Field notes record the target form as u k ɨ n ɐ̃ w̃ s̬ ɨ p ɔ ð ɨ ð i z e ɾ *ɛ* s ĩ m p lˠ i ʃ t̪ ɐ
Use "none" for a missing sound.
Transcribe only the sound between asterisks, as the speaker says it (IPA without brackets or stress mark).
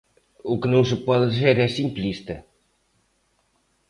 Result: ɛ